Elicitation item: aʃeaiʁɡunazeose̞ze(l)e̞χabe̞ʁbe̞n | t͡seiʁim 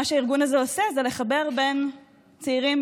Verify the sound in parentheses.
correct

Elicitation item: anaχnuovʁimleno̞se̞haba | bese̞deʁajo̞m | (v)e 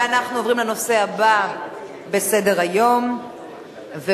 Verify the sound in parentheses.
correct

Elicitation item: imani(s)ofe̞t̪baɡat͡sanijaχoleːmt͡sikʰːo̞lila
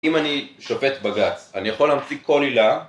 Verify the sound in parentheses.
incorrect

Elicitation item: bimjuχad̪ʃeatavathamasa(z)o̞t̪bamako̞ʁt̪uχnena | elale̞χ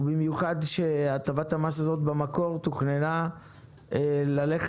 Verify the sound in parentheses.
correct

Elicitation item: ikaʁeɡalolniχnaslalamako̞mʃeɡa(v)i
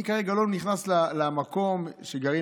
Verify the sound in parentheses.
incorrect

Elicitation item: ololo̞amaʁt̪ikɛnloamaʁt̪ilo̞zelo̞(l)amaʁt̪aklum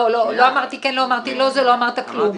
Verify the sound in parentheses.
incorrect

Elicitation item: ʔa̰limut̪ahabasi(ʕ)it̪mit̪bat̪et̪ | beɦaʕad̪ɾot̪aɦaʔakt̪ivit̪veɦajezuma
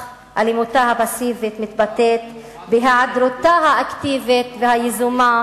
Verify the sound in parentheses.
incorrect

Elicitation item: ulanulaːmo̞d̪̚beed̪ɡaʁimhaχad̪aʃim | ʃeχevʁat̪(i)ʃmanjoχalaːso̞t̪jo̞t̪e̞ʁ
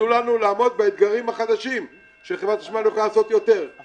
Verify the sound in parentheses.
incorrect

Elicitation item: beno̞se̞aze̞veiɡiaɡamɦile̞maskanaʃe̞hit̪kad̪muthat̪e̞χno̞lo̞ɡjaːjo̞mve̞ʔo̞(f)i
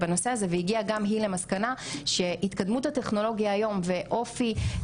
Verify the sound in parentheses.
correct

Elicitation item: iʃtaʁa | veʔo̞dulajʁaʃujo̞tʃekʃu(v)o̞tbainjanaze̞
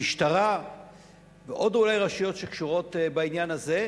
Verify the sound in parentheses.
incorrect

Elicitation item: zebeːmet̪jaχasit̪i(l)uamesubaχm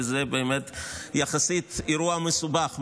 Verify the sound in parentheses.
incorrect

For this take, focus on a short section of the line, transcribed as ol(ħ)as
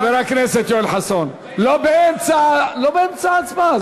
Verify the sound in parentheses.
correct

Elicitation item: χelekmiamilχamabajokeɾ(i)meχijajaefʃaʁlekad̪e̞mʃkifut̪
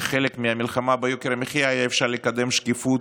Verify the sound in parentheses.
incorrect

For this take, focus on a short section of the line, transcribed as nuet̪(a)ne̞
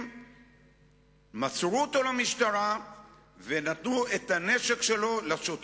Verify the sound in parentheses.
correct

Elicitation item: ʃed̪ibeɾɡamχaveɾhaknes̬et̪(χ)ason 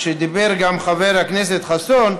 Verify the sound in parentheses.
correct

